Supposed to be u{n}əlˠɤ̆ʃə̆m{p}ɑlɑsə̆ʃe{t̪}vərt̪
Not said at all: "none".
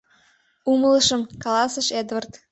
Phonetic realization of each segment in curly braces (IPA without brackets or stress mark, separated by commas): m, k, d̪